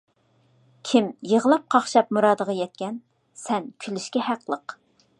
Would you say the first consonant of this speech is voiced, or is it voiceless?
voiceless